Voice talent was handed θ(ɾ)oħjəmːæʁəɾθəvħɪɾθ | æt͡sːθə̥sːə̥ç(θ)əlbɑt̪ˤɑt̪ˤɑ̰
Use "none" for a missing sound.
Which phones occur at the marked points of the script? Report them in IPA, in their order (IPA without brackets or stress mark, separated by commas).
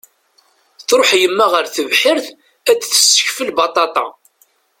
ɾ, f